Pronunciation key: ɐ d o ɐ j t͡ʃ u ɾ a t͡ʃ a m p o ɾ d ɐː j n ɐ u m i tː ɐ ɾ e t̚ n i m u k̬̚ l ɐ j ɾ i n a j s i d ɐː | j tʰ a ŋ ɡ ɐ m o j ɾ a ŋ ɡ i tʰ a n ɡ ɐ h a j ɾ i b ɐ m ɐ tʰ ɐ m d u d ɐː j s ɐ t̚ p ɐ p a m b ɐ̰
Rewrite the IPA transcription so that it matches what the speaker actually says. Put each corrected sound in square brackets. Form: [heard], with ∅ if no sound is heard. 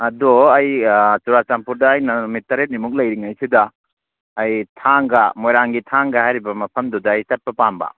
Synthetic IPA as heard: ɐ d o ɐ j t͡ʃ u ɾ a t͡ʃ a m p [u] ɾ d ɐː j n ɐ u m i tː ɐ ɾ e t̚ n i m u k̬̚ l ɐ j ɾ i [ŋ] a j s i d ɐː | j tʰ a ŋ ɡ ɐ m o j ɾ a ŋ ɡ i tʰ a [ŋ] ɡ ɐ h a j ɾ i b ɐ m ɐ [pʰ] ɐ m d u d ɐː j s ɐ t̚ p ɐ p a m b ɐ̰